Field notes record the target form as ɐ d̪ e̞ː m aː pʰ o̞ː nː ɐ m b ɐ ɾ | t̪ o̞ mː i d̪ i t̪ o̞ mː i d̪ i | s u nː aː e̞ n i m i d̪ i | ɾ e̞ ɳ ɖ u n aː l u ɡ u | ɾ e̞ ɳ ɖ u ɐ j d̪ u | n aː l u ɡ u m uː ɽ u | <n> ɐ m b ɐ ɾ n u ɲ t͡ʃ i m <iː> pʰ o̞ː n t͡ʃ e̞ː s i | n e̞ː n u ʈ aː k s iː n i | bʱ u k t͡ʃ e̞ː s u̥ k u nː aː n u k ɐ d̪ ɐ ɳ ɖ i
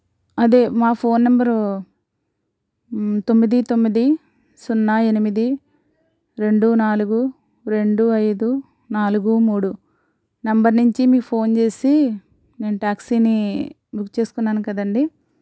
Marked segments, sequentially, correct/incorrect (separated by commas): correct, correct